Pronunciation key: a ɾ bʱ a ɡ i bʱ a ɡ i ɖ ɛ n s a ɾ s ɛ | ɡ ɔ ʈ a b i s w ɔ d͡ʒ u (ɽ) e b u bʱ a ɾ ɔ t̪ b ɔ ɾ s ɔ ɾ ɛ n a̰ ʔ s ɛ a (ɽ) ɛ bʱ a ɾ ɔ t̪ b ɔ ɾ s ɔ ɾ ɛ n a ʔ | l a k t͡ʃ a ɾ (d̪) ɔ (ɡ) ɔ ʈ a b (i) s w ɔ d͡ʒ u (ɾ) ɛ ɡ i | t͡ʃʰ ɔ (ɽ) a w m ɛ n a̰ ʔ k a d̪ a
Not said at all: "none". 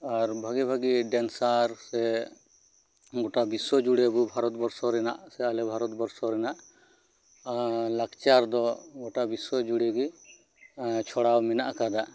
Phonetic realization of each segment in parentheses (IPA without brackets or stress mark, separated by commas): ɽ, l, d̪, ɡ, i, ɽ, ɽ